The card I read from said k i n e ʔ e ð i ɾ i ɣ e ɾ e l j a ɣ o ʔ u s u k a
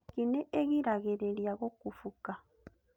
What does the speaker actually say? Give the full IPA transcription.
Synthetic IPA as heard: k i n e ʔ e ɣ i ɾ a ɣ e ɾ e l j a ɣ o k u f u k a